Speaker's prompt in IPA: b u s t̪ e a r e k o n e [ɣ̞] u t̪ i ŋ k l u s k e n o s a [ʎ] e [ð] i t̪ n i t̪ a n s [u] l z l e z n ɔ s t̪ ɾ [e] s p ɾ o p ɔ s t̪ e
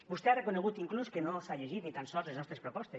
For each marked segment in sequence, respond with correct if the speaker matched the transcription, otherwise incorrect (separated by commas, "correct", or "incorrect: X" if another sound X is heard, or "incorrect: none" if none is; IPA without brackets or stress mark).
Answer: correct, correct, incorrect: ʒ, incorrect: ɔ, correct